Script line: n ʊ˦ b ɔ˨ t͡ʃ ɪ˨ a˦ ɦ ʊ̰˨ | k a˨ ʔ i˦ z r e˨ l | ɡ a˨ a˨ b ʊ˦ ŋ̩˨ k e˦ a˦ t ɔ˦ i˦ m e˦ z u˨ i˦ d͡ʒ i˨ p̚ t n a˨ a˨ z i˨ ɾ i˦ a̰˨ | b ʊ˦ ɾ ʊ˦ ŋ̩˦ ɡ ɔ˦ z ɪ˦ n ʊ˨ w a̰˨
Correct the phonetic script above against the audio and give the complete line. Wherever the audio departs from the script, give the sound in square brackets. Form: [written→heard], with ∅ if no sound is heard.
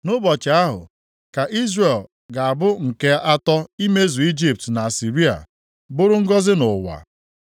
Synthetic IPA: n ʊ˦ b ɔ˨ t͡ʃ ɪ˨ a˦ ɦ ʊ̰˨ | k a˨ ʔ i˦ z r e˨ l | ɡ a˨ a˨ b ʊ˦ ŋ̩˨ k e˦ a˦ t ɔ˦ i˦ m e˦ z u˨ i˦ d͡ʒ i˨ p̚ t n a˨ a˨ [z→s] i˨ ɾ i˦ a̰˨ | b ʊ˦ ɾ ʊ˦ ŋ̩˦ ɡ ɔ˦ z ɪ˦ n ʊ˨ w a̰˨